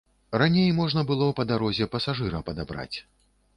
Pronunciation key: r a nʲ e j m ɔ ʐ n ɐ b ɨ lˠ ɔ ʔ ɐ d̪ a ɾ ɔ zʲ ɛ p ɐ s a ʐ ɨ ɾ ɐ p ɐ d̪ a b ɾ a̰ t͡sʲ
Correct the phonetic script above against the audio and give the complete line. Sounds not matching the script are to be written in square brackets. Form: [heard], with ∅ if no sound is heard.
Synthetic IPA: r a nʲ e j m ɔ ʐ n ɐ b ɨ lˠ ɔ [p] ɐ d̪ a ɾ ɔ zʲ ɛ p ɐ s a ʐ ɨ ɾ ɐ p ɐ d̪ a b ɾ a̰ t͡sʲ